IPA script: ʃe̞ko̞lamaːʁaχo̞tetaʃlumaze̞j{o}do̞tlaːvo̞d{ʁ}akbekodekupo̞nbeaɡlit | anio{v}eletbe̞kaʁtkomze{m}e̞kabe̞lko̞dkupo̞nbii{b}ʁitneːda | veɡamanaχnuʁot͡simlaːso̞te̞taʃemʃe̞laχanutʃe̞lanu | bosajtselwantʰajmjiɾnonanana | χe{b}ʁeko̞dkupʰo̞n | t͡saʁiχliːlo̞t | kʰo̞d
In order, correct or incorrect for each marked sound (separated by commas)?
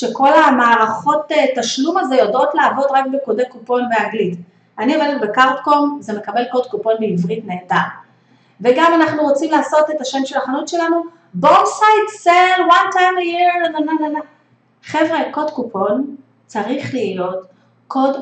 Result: correct, correct, correct, correct, incorrect, incorrect